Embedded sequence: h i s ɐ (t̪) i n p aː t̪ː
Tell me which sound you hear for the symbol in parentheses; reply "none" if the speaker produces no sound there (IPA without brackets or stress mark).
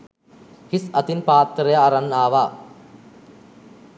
t̪